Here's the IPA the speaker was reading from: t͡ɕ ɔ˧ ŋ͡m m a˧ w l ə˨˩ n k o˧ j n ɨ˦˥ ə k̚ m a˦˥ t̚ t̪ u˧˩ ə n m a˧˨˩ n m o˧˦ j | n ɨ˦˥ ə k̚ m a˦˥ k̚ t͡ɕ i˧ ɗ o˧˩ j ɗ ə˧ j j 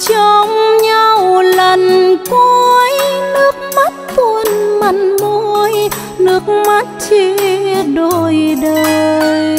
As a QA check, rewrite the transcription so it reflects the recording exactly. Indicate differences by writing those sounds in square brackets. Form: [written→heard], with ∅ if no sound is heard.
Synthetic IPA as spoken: t͡ɕ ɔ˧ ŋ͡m [m→ɲ] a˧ w l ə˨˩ n k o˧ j n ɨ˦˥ ə k̚ m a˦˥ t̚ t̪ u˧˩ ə n m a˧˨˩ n m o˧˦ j | n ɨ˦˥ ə k̚ m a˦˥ [k̚→t̚] t͡ɕ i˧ ɗ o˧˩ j ɗ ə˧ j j

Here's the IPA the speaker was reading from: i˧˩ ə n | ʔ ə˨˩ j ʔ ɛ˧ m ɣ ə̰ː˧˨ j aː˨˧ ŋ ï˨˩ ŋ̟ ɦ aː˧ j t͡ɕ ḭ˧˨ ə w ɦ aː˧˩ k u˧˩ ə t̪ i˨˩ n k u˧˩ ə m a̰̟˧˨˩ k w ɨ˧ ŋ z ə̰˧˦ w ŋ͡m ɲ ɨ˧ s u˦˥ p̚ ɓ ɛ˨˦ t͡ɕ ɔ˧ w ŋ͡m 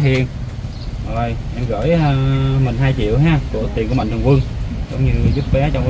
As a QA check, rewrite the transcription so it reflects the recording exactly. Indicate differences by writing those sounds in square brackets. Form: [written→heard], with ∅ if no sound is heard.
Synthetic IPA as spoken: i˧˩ ə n | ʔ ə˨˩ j ʔ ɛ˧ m ɣ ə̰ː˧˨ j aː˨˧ [ŋ→m] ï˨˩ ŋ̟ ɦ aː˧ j t͡ɕ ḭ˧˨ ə w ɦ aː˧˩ k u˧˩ ə t̪ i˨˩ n k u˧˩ ə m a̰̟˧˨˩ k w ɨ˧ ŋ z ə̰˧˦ w ŋ͡m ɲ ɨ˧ [s→z] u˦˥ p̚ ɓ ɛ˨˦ t͡ɕ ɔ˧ w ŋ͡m

